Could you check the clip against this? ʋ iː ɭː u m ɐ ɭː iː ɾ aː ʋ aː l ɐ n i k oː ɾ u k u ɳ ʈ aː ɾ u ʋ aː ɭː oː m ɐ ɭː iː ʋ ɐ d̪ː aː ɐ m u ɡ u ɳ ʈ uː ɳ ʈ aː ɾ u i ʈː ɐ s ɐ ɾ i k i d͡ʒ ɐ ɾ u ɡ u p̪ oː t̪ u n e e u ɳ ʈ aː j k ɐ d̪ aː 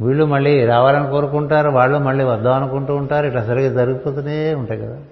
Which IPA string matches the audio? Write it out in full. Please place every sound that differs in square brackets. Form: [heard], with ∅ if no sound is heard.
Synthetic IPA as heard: ʋ iː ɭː u m ɐ ɭː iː ɾ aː ʋ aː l ɐ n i k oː ɾ u k u ɳ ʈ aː ɾ u ʋ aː ɭː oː m ɐ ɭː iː ʋ ɐ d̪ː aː ɐ [n] u [k] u ɳ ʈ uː ɳ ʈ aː ɾ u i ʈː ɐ s ɐ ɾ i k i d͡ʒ ɐ ɾ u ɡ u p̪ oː t̪ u n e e u ɳ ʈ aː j k ɐ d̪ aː